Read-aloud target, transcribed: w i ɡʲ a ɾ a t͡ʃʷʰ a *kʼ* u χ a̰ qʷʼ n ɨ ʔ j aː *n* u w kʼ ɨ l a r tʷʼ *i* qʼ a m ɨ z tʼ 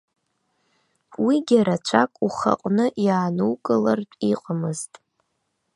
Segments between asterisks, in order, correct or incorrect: correct, correct, correct

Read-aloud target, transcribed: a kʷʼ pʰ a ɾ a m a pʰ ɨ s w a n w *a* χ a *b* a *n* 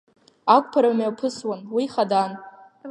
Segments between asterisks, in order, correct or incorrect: incorrect: i, incorrect: d, correct

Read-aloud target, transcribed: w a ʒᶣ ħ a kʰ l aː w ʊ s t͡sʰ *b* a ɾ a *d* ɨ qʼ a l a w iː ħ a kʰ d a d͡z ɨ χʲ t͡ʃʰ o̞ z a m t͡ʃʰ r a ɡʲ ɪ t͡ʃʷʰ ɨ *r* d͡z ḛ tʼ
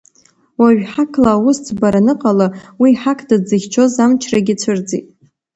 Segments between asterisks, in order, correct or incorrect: correct, incorrect: n, correct

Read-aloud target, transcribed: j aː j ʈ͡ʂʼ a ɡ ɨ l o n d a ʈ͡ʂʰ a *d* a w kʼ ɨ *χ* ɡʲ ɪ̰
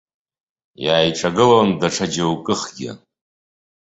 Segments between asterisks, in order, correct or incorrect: incorrect: d͡ʒ, correct

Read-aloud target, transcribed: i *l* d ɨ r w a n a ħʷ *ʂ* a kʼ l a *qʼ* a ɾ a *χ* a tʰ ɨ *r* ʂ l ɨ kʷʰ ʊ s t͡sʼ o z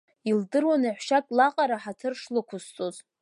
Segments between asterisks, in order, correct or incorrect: correct, incorrect: ʃ, correct, incorrect: ħ, correct

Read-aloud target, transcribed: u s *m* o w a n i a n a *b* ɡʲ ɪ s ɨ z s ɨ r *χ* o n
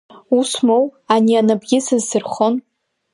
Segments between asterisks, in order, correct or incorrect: correct, correct, correct

